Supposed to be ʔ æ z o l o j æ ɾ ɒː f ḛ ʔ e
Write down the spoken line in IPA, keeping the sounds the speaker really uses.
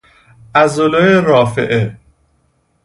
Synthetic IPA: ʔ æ z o l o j e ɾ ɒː f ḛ ʔ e